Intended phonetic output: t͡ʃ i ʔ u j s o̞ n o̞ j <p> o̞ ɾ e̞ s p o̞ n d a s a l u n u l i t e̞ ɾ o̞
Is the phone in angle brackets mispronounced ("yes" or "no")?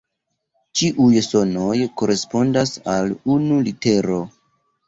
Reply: yes